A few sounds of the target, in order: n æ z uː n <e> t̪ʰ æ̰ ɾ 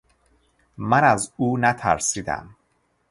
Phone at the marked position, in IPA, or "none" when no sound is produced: æ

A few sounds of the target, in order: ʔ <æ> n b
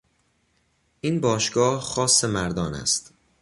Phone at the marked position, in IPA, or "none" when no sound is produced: i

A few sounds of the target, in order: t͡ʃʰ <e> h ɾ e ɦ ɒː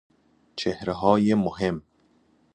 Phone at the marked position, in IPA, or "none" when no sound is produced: e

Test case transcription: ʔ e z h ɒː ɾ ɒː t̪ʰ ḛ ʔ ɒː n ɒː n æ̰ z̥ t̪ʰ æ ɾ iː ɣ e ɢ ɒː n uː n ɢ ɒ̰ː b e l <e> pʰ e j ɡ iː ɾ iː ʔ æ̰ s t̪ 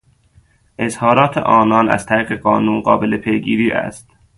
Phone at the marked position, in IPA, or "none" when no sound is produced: e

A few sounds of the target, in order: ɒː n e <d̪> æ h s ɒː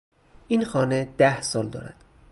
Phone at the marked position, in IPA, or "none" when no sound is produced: d̪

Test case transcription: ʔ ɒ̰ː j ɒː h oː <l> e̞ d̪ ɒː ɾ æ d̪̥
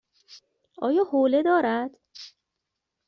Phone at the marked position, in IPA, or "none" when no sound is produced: l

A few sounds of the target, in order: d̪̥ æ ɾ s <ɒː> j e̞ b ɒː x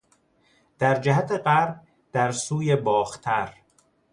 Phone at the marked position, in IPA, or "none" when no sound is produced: uː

